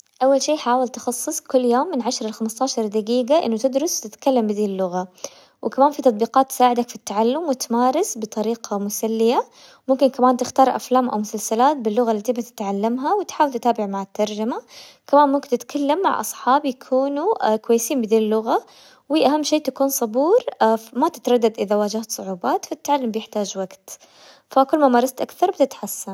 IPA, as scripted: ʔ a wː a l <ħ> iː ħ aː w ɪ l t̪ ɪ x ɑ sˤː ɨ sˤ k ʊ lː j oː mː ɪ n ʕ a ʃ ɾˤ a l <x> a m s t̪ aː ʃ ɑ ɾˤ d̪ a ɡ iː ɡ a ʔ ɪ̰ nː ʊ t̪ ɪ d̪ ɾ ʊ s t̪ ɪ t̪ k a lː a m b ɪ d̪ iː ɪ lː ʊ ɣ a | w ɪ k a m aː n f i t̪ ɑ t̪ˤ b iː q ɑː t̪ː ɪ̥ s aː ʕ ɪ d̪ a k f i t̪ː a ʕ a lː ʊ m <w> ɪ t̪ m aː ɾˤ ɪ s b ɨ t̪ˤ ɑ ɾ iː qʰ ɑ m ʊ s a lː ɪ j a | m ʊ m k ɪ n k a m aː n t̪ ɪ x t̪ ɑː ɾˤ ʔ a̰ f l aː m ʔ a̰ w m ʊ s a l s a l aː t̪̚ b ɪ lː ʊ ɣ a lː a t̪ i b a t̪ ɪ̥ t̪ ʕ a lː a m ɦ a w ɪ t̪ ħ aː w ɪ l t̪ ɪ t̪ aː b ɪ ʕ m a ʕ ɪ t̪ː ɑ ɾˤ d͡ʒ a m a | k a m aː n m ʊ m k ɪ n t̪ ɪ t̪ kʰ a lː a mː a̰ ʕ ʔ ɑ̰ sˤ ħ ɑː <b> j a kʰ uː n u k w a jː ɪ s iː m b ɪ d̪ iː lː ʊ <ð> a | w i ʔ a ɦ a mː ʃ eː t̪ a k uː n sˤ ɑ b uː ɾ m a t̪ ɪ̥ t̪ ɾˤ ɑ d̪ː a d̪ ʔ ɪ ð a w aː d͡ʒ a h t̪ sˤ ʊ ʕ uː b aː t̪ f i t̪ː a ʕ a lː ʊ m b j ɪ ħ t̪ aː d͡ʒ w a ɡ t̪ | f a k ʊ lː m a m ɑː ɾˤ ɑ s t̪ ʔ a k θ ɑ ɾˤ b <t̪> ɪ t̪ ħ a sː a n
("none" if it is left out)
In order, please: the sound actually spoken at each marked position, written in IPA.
ʃ, x, w, b, ɣ, t̪

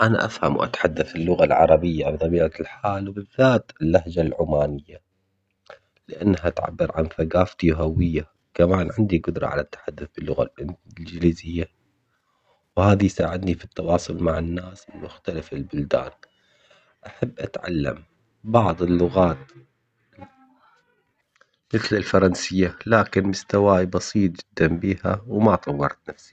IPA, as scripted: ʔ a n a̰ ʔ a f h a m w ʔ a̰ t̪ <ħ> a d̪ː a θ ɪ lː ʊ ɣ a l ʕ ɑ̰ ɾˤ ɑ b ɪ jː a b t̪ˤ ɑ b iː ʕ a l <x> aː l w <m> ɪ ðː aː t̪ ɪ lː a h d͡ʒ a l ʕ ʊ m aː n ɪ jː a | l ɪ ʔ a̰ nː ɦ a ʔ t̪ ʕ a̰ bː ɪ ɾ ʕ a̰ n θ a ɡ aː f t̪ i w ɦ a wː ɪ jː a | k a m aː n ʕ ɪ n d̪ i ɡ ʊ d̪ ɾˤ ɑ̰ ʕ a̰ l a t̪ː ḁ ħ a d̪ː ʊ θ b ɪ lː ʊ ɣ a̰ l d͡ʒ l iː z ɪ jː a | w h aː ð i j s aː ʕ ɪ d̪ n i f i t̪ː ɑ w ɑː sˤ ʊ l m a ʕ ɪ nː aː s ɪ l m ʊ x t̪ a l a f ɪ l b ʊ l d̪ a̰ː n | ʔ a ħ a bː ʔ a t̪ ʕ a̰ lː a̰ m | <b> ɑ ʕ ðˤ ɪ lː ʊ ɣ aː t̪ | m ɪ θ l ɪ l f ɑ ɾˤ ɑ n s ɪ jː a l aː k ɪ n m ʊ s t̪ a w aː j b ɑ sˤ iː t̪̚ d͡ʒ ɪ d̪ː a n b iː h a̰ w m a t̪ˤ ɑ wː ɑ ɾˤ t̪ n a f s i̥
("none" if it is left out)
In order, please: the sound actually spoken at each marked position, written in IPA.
ħ, ħ, b, b

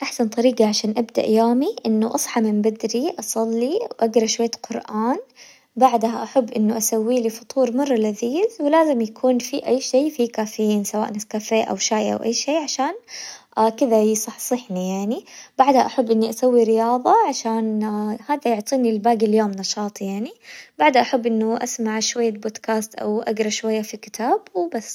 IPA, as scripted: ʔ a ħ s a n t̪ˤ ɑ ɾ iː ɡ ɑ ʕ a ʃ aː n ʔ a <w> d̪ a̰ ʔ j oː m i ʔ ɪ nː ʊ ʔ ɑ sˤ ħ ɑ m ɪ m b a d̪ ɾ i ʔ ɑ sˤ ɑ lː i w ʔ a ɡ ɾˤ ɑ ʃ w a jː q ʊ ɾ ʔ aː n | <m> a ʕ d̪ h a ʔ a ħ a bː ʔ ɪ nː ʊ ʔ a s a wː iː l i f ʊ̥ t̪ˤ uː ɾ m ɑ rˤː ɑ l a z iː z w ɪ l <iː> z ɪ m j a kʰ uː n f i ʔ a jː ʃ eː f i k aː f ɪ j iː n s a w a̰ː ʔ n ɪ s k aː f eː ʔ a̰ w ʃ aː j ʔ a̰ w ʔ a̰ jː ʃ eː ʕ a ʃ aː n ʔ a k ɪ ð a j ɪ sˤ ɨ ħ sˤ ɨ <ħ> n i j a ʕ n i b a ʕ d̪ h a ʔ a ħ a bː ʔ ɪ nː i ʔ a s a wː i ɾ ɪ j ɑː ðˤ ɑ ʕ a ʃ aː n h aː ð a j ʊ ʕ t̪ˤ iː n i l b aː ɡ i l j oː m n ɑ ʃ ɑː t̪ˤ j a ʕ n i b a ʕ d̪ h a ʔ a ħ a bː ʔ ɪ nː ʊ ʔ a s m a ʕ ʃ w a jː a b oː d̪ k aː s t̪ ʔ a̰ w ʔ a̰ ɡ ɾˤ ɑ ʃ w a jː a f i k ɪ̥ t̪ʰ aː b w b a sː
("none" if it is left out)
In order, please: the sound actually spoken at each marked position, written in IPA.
b, b, aː, ħ

